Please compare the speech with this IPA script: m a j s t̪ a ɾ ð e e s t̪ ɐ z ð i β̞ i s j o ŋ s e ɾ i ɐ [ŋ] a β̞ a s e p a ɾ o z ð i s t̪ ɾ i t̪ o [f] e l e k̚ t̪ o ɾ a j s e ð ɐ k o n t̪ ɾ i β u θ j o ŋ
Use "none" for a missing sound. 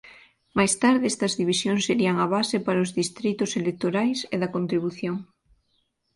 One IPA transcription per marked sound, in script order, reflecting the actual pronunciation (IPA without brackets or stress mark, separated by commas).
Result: ŋ, s